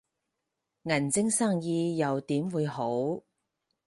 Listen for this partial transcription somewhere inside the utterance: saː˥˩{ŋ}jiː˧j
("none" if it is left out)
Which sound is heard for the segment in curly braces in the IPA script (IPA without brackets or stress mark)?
ŋ